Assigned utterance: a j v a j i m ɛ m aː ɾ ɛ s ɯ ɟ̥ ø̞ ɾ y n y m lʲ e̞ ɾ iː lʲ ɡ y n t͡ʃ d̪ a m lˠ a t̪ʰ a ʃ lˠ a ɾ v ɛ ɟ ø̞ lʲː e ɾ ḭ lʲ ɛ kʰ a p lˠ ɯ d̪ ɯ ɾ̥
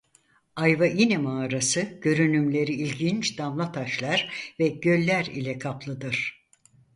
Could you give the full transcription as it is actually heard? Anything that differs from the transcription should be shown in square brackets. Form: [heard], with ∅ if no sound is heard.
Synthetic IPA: a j v a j i [n] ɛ m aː ɾ [a] s ɯ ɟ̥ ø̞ ɾ y n y m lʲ e̞ ɾ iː lʲ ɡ [i] n t͡ʃ d̪ a m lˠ a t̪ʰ a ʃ lˠ a ɾ v ɛ ɟ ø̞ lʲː [æ] ɾ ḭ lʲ ɛ kʰ a p lˠ ɯ d̪ ɯ ɾ̥